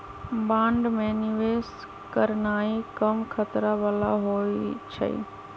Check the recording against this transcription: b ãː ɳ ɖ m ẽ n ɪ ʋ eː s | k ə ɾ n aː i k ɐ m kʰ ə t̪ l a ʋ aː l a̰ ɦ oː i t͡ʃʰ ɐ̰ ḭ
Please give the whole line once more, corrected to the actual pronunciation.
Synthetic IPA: b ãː ɳ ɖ m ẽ n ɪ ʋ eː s | k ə ɾ n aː i k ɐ m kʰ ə t̪ ɾ a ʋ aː l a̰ ɦ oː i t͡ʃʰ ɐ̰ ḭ